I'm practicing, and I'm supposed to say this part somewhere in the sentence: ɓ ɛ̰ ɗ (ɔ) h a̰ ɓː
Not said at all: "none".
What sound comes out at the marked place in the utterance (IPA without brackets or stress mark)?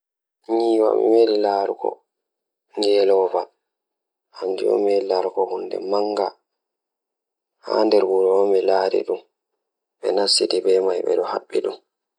ɔ